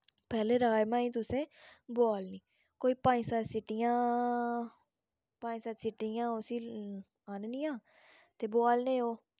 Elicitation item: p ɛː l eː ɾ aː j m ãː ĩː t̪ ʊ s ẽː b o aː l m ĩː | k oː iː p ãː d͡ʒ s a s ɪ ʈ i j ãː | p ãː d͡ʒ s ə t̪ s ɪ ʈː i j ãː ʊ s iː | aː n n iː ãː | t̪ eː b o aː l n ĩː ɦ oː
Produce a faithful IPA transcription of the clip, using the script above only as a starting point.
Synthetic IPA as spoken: p ɛː l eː ɾ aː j m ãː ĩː t̪ ʊ s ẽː b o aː l n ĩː | k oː iː p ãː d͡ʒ s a s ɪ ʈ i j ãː | p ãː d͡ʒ s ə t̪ s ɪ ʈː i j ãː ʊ s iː | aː n n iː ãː | t̪ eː b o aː l n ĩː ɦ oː